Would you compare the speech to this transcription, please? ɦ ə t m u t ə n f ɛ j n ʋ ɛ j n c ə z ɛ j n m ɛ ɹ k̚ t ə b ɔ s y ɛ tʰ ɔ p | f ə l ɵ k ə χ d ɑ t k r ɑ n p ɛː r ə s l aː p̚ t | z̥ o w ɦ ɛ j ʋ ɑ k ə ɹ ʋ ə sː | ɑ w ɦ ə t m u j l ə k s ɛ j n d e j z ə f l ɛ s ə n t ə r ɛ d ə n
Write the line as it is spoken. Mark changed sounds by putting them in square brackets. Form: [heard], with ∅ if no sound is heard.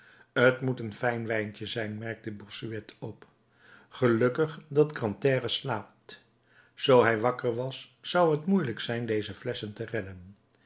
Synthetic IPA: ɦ ə t m u t ə n f ɛ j n ʋ ɛ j n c ə z ɛ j n m ɛ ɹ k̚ t ə b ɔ s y ɛ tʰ ɔ p | [χ] ə l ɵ k ə χ d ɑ t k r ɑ n [t] ɛː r ə s l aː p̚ t | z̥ o w ɦ ɛ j ʋ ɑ k ə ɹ ʋ [ɑ] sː | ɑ w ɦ ə t m u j l ə k s ɛ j n d e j z ə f l ɛ s ə n t ə r ɛ d ə n

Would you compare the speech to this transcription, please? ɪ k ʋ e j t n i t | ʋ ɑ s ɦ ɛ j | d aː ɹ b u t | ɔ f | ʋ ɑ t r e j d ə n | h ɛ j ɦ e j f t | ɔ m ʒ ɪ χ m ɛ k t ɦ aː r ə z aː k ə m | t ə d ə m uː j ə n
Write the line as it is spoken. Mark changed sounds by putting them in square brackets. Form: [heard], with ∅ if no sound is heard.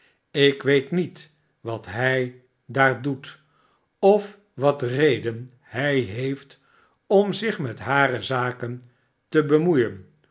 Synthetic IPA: ɪ k ʋ e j t n i t | ʋ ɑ [t] ɦ ɛ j | d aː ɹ [d] u t | ɔ f | ʋ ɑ t r e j d ə n | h ɛ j ɦ e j f t | ɔ m [z] ɪ χ m ɛ [∅] t ɦ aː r ə z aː k ə [n] | t ə [b] ə m [u] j ə n

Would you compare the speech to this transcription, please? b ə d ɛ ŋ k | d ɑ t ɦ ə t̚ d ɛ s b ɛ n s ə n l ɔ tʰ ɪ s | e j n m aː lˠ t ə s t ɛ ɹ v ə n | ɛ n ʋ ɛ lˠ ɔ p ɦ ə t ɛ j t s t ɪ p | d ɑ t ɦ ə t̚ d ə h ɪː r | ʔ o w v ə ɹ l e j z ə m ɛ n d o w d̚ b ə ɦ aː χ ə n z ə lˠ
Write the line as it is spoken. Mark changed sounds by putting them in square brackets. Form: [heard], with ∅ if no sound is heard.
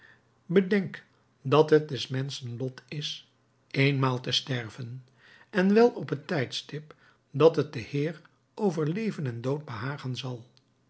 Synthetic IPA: b ə d ɛ ŋ k | d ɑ t ɦ ə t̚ d ɛ s [m] ɛ n s ə n l ɔ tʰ ɪ s | e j n m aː lˠ t ə s t ɛ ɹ v ə n | ɛ n ʋ ɛ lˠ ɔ p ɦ ə t ɛ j t s t ɪ p | d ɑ t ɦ ə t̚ d ə h ɪː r | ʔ o w v ə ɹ l e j [v] ə [n] ɛ n d o w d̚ b ə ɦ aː χ ə n z [ɑ] lˠ

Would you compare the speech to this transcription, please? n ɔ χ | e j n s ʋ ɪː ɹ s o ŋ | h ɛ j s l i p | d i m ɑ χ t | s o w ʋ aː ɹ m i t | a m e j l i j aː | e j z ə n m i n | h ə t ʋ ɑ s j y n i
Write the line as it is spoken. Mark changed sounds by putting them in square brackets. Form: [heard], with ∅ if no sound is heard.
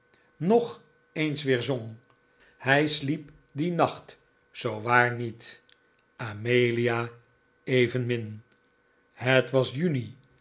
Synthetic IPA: n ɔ χ | e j n s ʋ ɪː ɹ [z] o ŋ | h ɛ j s l i p | d i [n] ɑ χ t | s o w ʋ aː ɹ [n] i t | a m e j l i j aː | e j [v] ə n m [ɪ] n | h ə t ʋ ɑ s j y n i

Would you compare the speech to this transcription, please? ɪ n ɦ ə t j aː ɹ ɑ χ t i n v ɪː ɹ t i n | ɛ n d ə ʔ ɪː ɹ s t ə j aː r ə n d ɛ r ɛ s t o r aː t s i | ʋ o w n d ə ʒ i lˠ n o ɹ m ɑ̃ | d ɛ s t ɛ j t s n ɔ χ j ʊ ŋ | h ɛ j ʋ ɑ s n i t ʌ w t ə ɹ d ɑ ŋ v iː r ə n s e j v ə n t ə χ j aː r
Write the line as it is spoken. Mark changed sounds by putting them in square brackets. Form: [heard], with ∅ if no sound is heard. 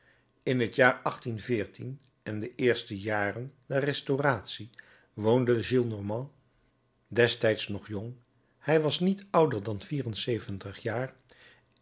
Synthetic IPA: ɪ n ɦ ə t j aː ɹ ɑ χ t i n v ɪː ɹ t i n | ɛ n d ə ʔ ɪː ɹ s t ə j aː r ə n d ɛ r ɛ s t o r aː t s i | ʋ o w n d ə ʒ i lˠ n [ɔ] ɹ m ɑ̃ | d ɛ s t ɛ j t s n ɔ χ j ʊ ŋ | h ɛ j ʋ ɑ s n i t ʌ w [d] ə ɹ d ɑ [n] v iː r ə n s e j v ə n t ə χ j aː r

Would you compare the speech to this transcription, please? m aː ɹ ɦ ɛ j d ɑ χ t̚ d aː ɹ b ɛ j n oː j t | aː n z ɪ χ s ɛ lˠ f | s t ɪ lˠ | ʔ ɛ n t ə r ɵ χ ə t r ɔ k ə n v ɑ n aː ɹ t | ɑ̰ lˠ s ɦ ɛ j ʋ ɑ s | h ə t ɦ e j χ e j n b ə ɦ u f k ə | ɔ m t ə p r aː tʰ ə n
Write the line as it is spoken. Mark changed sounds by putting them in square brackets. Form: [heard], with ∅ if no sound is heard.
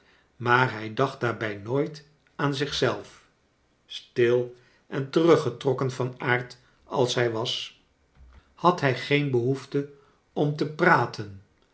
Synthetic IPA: m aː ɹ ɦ ɛ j d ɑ χ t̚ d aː ɹ b ɛ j n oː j t | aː n z ɪ χ s ɛ lˠ f | s t ɪ lˠ | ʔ ɛ n t ə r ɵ χ ə t r ɔ k ə n v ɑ n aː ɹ t | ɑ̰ lˠ s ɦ ɛ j ʋ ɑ s | h [ɑ] t ɦ [ɛ] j χ e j n b ə ɦ u f [t] ə | ɔ m t ə p r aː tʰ ə n

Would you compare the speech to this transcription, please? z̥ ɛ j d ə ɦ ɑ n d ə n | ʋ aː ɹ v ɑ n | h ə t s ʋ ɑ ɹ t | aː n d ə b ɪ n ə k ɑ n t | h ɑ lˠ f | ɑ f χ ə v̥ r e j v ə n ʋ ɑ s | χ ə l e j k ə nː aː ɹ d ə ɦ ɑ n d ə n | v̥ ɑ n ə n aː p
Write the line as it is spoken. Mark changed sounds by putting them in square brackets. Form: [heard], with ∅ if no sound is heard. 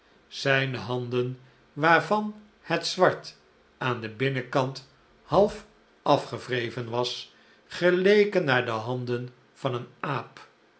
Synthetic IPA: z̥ ɛ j [n] ə ɦ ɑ n d ə n | ʋ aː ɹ v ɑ n | h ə t s ʋ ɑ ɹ t | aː n d ə b ɪ n ə k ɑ n t | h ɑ lˠ f | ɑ f χ ə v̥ r e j v ə n ʋ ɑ s | χ ə l e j k ə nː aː ɹ d ə ɦ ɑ n d ə n | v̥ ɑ n ə n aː p

